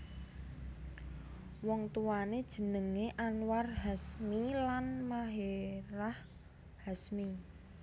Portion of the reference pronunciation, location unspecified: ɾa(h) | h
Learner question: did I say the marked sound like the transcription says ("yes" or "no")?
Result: yes